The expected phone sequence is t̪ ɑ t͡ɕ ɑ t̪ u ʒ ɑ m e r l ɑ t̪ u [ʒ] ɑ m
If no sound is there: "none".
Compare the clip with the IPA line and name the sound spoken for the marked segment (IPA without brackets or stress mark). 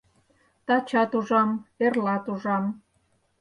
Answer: ʒ